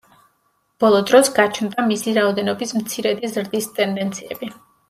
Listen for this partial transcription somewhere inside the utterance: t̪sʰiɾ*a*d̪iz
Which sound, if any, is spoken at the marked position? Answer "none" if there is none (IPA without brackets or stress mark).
ɛ